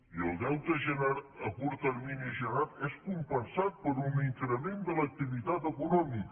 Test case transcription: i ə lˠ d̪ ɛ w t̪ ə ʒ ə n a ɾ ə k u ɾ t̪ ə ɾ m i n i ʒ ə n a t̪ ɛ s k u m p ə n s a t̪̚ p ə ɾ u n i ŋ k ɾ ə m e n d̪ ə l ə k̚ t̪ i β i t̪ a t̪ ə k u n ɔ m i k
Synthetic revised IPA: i ə lˠ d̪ ɛ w t̪ ə ʒ ə n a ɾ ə k u ɾ t̪ ə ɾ m i n i ʒ ə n a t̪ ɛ s k u m p ə n s a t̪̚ p ə ɾ u n i ŋ k ɾ ə m e n d̪ ə l ə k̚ t̪ i β i t̪ a t̪ ə k u n ɔ m i k